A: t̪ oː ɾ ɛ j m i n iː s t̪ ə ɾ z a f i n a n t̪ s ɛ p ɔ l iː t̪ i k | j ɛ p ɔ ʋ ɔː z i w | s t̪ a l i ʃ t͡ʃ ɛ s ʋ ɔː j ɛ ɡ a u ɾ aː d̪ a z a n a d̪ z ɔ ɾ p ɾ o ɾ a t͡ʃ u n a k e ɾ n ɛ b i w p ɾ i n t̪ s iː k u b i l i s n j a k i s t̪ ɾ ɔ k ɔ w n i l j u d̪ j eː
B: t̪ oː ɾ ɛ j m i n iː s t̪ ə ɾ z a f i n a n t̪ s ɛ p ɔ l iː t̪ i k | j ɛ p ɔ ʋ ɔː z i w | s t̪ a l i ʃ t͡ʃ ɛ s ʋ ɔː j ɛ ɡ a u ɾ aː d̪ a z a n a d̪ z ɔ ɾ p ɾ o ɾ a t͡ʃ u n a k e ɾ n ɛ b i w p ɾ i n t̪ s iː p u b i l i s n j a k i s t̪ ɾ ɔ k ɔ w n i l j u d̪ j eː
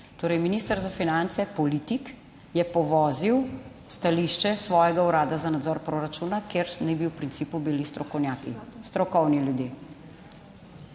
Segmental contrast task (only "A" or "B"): B